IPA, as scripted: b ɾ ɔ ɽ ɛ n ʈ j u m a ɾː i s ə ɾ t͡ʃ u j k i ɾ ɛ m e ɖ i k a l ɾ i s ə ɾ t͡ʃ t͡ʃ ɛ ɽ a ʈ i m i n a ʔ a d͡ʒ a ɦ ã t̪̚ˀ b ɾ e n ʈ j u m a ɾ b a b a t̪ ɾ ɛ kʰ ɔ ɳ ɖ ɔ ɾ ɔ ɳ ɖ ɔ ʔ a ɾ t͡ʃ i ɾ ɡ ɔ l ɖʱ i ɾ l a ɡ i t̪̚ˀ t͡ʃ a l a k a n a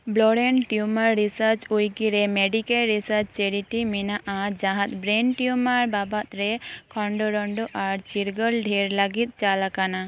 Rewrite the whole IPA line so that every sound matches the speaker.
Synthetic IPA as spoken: b l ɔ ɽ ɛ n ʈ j u m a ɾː i s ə ɾ t͡ʃ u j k i ɾ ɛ m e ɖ i k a l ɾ i s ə ɾ t͡ʃ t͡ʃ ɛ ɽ i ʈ i m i n a ʔ a d͡ʒ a ɦ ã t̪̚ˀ b ɾ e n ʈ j u m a ɾ b a b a t̪ ɾ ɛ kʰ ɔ ɳ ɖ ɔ ɾ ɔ ɳ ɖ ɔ ʔ a ɾ t͡ʃ i ɾ ɡ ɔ l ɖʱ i ɾ l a ɡ i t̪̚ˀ t͡ʃ a l a k a n a